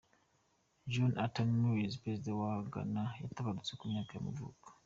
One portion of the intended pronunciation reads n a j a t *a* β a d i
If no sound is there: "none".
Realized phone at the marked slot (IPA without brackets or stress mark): a